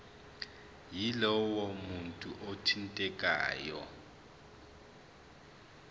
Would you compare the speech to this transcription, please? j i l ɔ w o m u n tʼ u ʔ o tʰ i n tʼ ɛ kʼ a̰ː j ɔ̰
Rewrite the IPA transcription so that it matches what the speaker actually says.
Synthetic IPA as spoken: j i l ɔ w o m u n tʼ u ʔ o tʰ i n tʼ ɛ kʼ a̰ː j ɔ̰